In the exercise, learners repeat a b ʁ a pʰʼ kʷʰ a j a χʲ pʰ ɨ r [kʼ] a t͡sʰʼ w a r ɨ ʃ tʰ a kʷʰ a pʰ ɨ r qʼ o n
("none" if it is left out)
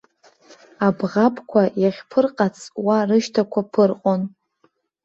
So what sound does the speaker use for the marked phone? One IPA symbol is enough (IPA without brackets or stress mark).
qʼ